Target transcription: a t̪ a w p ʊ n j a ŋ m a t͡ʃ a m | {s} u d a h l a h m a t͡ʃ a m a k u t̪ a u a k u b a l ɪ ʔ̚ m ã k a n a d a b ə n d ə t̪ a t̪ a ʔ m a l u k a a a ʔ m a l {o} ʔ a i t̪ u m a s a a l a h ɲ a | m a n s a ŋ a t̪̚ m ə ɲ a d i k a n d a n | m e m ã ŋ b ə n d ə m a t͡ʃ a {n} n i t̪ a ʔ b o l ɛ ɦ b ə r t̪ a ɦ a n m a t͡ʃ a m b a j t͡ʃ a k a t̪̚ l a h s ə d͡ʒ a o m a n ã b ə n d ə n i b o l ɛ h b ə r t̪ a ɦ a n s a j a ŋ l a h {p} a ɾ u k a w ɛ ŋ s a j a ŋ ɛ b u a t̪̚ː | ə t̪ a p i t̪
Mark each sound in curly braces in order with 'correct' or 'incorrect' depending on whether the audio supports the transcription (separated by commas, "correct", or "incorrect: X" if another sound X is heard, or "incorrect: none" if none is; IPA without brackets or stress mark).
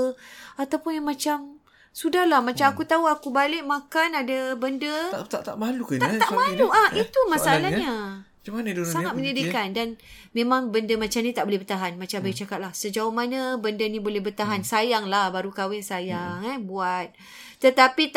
correct, incorrect: u, incorrect: m, incorrect: b